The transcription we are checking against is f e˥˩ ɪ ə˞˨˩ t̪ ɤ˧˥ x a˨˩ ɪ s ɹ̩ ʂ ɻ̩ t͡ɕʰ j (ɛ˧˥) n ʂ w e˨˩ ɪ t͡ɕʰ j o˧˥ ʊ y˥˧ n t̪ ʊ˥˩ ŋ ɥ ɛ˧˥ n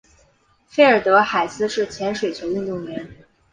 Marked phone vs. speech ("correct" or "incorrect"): correct